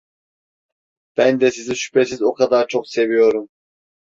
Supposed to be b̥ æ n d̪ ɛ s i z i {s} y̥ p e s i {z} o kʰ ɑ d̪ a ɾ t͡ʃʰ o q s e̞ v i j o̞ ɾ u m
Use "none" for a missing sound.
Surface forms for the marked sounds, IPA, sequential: ʃ, z

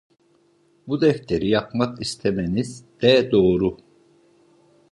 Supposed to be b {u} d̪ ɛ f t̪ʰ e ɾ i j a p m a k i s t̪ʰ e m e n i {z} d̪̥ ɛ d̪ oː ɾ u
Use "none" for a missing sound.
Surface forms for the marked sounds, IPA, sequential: u, z

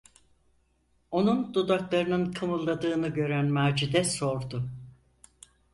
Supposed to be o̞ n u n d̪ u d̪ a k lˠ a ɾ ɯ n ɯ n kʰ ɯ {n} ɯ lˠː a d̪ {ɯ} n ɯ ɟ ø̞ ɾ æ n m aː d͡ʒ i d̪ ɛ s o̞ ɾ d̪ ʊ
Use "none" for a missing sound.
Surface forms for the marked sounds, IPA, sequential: m, ɯː

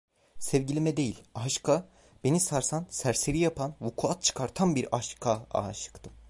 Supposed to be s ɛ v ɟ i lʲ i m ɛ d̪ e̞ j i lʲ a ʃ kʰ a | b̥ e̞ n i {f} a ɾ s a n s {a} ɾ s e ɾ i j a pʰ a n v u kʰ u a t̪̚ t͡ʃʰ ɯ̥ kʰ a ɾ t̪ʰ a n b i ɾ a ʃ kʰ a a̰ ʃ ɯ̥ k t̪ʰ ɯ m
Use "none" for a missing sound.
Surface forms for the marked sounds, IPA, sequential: s, æ

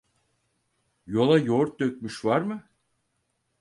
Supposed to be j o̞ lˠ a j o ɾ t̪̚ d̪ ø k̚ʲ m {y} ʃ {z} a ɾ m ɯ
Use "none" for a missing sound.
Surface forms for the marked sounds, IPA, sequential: y, v

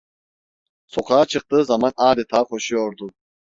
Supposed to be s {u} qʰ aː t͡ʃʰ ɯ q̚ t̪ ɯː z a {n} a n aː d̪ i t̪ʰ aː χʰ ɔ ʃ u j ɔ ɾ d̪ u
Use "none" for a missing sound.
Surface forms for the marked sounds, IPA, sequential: ɔ, m

